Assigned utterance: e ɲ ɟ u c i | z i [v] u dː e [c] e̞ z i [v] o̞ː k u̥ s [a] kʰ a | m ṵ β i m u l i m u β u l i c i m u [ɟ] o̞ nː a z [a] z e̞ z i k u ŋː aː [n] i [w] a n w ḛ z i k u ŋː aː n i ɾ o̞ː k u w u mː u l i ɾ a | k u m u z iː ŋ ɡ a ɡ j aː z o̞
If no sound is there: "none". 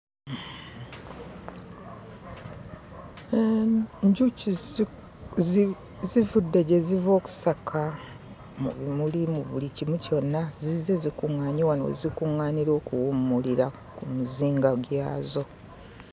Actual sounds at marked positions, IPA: v, ɟ, v, a, c, i, ɲ, w

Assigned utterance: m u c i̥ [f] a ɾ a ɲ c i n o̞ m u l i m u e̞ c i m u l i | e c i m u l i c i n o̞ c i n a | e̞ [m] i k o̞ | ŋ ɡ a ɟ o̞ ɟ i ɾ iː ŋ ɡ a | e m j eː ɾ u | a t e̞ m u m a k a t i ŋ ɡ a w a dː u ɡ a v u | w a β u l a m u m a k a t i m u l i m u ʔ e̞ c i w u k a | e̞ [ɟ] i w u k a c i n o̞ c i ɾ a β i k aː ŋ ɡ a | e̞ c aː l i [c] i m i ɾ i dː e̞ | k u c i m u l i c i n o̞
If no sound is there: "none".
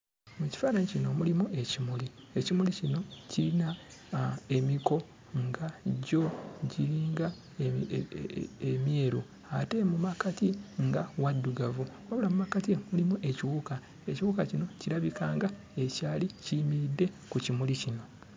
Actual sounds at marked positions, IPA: f, m, c, c

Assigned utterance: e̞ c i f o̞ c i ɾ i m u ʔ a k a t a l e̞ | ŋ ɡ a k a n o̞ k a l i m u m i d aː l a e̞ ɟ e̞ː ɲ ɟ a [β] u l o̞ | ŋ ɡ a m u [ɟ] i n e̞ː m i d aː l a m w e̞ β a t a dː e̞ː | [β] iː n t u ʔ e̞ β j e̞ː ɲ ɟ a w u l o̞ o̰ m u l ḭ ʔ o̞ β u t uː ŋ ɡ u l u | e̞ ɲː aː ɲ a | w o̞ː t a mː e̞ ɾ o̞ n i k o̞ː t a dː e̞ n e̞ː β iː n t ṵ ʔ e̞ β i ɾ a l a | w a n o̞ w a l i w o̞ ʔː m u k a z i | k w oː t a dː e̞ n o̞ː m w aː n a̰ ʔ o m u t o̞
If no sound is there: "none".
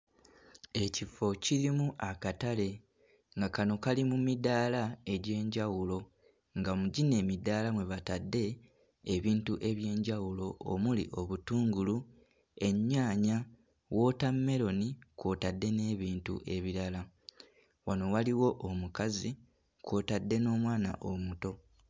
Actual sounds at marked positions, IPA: w, ɟ, β

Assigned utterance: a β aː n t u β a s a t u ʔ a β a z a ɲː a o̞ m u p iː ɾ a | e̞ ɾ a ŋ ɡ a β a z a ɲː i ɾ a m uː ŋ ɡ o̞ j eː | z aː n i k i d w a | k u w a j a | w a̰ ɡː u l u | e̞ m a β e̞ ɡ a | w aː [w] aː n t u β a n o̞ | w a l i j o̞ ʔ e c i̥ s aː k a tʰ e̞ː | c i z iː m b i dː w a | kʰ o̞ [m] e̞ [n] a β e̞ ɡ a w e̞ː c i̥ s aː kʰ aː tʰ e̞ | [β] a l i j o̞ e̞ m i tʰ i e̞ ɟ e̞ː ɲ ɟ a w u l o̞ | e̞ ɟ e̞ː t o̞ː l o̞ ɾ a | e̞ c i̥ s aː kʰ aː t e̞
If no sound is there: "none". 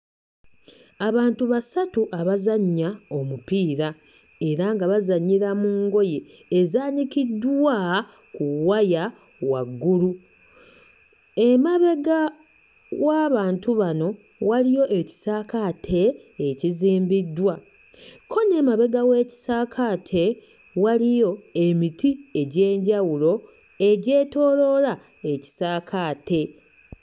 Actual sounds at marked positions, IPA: β, n, m, w

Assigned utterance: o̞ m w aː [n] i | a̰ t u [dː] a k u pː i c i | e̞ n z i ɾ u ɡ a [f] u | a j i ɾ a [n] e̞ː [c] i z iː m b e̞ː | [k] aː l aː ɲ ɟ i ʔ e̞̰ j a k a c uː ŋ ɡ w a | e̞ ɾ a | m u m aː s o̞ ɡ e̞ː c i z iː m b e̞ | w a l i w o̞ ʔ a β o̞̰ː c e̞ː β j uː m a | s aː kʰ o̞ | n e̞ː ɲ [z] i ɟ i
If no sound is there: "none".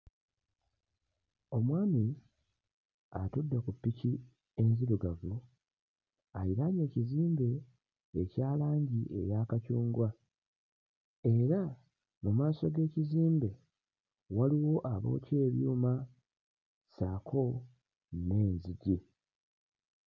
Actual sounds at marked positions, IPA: m, dː, v, ɲ, c, c, z

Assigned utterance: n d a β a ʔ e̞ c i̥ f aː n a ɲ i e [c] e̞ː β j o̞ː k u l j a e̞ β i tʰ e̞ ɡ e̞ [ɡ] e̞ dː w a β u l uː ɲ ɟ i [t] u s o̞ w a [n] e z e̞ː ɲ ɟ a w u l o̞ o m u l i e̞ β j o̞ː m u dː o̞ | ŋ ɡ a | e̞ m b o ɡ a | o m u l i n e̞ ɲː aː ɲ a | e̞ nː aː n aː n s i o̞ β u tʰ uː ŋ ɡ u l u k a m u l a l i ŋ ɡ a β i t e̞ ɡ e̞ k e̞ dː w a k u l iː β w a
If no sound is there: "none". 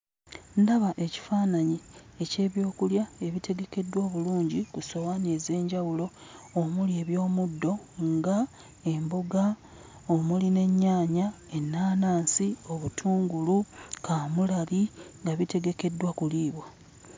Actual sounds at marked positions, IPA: c, k, k, n

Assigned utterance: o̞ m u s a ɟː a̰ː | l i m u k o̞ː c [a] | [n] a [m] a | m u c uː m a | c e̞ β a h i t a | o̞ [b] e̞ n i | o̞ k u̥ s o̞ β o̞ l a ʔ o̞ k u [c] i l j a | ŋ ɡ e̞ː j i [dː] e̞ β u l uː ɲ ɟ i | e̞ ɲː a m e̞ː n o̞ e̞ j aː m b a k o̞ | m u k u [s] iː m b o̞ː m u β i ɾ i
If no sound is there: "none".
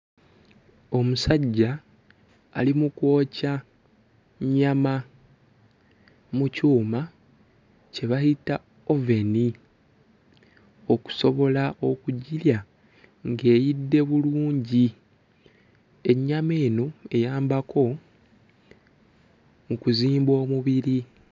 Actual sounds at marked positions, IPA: a, ɲ, m, v, ɟ, dː, z

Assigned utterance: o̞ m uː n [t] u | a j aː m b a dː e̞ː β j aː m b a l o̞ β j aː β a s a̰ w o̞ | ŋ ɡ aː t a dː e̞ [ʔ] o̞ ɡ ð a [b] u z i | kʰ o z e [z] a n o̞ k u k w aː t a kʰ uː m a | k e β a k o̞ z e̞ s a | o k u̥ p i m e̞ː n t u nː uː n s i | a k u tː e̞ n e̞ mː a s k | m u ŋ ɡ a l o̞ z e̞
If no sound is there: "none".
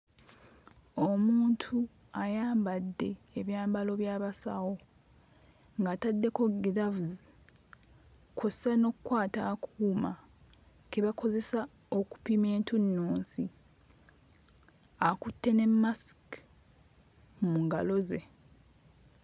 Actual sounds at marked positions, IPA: tʰ, k, v, s

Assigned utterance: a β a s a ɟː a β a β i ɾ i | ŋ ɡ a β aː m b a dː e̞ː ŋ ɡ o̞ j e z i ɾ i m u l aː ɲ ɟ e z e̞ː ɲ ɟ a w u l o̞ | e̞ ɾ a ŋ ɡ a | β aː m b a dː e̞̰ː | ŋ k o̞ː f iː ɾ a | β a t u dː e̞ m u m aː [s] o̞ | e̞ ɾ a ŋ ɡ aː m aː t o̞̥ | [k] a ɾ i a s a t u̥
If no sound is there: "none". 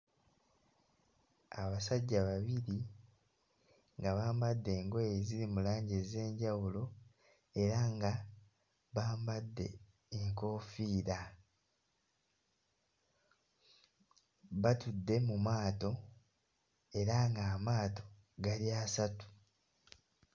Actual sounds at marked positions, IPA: t, ɡ

